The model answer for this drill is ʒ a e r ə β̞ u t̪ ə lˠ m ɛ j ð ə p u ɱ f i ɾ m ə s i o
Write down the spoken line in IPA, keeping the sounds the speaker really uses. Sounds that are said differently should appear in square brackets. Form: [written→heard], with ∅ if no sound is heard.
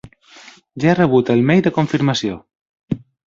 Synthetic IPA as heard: ʒ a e r ə β̞ u t̪ ə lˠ m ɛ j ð ə [p→k] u ɱ f i ɾ m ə s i o